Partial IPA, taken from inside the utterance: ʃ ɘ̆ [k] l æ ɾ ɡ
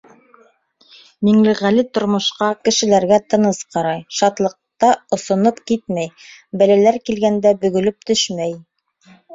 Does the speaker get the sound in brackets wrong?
yes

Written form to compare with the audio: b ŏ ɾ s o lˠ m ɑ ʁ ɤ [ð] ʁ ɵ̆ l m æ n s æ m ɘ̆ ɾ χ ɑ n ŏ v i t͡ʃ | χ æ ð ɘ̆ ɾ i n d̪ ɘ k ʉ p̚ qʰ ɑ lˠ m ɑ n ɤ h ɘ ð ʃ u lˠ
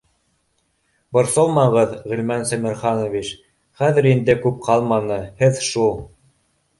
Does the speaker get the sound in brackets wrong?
no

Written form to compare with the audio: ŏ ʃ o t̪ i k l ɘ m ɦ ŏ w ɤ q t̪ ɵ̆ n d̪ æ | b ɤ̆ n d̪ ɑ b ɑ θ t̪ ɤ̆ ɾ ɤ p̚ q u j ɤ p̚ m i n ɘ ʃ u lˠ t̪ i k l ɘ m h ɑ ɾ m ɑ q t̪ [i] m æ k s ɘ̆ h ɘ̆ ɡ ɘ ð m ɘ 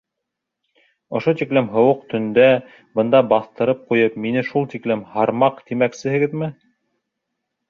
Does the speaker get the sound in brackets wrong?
no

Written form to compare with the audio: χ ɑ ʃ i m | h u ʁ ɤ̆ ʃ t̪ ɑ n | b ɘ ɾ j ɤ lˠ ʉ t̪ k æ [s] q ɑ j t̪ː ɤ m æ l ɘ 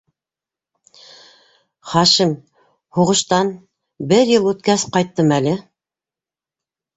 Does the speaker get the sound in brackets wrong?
no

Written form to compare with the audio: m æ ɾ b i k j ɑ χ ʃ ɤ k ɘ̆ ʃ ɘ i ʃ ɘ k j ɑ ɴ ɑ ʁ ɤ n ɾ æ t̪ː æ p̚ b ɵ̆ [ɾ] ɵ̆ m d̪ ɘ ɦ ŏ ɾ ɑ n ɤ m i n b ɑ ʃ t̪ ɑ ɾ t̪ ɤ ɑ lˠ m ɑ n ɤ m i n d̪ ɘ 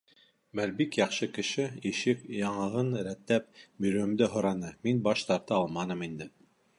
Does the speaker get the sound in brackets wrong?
no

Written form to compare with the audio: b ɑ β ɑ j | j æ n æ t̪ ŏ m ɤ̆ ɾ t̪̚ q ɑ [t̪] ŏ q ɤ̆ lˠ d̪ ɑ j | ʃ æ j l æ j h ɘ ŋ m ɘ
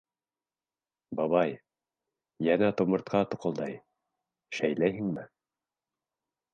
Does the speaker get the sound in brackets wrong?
no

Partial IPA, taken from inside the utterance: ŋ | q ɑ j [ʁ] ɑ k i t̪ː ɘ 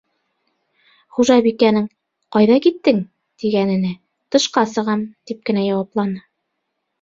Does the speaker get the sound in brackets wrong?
yes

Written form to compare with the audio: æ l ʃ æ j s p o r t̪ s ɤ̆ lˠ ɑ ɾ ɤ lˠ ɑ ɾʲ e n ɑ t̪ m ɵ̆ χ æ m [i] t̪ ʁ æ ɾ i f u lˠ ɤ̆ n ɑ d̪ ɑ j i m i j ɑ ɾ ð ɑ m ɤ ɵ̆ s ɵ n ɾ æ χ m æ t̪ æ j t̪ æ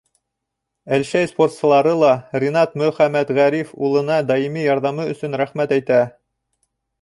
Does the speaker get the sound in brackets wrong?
yes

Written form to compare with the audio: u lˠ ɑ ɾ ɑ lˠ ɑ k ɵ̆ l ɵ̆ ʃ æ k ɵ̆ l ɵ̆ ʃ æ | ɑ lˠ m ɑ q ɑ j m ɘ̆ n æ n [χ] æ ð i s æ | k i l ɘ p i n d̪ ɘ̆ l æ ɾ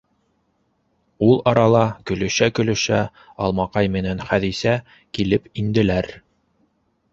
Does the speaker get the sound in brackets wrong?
no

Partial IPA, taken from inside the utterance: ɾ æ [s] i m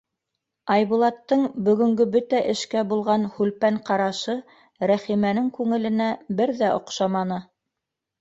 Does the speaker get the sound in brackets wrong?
yes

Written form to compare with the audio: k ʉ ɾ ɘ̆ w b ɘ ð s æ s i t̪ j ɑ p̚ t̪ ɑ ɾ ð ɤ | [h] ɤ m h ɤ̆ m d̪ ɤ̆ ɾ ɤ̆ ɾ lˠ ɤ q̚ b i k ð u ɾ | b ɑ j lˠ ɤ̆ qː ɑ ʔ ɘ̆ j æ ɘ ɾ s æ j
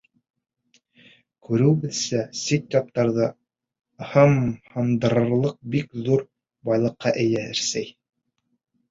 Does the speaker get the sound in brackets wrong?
no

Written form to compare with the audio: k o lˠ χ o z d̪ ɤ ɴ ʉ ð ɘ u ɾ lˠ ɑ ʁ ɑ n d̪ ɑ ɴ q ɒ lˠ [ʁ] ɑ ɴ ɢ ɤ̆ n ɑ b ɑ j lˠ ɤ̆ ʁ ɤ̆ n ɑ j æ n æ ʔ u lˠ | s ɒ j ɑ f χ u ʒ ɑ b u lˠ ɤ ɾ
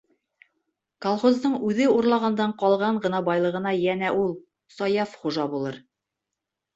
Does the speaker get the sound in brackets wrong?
no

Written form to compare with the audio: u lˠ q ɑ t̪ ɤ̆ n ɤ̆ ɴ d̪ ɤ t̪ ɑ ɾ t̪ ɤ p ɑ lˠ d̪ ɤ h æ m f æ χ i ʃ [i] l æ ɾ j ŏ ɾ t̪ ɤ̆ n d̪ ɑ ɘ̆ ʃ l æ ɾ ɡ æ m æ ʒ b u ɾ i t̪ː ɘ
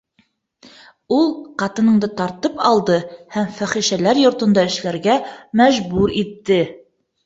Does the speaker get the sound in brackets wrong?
yes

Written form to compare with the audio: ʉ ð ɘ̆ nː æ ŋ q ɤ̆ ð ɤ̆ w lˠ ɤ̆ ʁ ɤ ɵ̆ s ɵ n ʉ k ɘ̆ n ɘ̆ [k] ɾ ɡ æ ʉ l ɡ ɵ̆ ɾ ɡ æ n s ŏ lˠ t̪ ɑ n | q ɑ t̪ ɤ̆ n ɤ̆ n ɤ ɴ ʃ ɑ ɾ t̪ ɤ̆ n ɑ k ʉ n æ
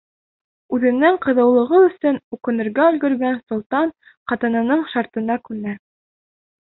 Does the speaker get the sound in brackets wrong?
yes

